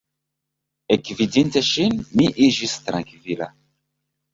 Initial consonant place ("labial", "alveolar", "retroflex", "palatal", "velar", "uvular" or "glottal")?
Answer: velar